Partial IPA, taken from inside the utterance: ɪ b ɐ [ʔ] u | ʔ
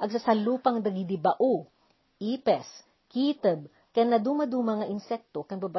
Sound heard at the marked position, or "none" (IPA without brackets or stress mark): ʔ